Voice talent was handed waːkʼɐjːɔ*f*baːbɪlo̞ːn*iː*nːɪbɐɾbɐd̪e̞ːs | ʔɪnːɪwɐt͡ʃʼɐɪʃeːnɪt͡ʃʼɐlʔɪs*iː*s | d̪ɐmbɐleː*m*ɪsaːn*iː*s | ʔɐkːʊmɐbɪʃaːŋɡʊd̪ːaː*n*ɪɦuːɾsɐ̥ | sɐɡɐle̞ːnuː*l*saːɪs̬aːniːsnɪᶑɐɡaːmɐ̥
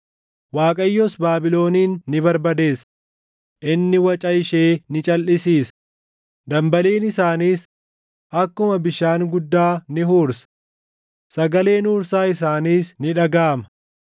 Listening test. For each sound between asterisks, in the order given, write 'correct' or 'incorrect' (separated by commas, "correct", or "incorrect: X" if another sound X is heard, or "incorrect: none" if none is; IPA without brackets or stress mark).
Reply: incorrect: s, correct, correct, incorrect: n, correct, correct, incorrect: ɾ